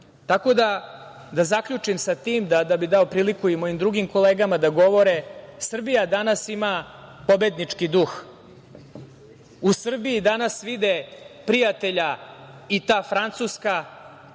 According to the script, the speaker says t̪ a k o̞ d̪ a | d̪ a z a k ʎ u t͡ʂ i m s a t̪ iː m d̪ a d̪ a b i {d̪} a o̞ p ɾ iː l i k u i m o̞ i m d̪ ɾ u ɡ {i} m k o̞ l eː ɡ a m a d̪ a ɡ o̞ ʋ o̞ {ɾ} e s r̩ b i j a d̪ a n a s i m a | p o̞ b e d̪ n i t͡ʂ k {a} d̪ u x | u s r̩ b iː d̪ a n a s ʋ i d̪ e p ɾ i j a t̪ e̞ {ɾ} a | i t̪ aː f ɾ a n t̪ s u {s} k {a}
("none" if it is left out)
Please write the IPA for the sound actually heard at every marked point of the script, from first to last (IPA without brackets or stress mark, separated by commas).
d̪, i, ɾ, i, ʎ, s, a